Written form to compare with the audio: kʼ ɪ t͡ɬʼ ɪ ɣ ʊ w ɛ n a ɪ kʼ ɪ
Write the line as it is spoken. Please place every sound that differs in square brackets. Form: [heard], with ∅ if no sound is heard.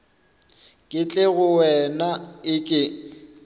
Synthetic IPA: kʼ ɪ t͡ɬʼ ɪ ɣ ʊ w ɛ n a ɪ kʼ ɪ